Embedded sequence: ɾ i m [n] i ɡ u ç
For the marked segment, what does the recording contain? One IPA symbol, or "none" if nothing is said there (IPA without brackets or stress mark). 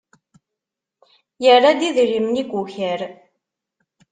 n